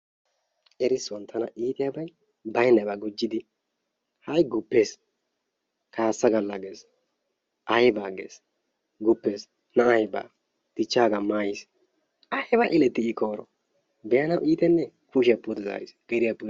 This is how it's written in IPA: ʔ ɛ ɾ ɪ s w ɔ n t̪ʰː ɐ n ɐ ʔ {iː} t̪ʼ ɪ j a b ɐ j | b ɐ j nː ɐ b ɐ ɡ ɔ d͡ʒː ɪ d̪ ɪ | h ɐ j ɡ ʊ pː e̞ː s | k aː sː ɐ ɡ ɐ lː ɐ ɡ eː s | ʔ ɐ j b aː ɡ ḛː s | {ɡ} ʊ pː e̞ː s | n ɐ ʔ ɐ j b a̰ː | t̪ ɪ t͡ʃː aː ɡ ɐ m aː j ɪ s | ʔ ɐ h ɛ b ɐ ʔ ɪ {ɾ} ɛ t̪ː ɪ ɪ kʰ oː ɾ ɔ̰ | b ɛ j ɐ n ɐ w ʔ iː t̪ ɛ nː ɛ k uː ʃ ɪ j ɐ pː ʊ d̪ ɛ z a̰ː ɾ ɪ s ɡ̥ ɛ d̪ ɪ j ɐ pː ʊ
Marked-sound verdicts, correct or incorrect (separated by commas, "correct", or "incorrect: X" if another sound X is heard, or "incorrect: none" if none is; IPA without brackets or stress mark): correct, correct, incorrect: l